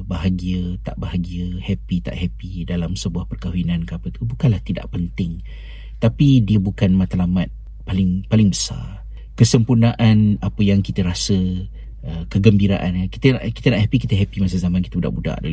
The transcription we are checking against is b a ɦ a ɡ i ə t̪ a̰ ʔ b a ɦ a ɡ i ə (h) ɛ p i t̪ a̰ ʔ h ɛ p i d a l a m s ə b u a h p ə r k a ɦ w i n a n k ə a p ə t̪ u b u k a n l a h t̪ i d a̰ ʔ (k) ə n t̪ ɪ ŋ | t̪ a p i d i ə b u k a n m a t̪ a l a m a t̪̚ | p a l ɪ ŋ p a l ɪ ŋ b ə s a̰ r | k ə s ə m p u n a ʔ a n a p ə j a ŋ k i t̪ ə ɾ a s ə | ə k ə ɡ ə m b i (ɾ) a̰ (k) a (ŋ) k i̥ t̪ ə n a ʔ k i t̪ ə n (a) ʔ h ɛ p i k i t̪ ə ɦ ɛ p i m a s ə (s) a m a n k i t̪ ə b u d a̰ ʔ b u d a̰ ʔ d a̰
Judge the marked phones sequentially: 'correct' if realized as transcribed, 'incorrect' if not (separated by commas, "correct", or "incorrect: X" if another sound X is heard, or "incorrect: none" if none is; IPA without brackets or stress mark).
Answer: correct, incorrect: p, correct, incorrect: ʔ, incorrect: n, correct, incorrect: z